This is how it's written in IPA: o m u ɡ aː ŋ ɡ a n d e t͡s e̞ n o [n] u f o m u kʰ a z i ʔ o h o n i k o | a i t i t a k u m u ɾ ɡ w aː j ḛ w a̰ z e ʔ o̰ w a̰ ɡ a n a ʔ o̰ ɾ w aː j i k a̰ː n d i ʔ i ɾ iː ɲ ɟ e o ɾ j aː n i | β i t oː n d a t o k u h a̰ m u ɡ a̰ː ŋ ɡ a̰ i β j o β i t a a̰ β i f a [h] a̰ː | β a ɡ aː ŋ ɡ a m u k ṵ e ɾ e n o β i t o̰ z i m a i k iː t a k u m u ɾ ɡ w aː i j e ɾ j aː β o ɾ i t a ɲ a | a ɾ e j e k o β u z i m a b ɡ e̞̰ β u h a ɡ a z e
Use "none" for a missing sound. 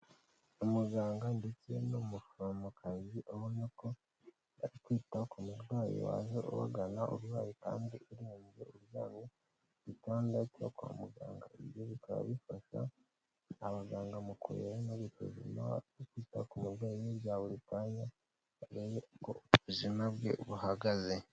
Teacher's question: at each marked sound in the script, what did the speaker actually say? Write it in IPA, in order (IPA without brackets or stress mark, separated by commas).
m, ʃ